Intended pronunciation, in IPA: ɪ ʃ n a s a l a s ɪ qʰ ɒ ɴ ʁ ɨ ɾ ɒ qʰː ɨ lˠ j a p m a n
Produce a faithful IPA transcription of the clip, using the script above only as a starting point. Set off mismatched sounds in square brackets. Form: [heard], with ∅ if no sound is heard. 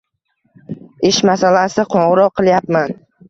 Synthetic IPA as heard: ɪ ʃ [m] a s a l a s ɪ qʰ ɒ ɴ ʁ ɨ ɾ ɒ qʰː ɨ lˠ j a p m a n